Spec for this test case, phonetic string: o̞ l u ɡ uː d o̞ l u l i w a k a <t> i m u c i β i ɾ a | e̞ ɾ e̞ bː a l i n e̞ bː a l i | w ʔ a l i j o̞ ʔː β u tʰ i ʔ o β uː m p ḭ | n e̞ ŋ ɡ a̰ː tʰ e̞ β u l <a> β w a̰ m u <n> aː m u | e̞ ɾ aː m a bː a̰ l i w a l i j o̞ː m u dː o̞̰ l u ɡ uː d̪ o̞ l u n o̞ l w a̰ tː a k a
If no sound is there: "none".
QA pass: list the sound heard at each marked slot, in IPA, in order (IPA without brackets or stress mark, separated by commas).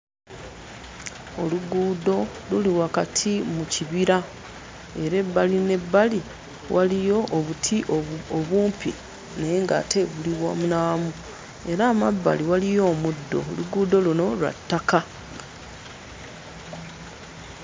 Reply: tʰ, i, n